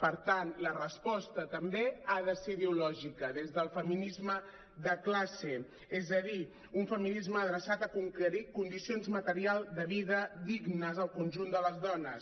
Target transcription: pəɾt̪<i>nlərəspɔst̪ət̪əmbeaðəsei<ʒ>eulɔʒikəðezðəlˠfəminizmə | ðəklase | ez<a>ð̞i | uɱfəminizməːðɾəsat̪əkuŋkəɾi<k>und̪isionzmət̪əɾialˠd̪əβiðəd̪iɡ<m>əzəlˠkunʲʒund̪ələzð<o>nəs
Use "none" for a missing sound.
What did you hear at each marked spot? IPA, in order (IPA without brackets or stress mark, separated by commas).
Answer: a, ð, ə, k, n, ɔ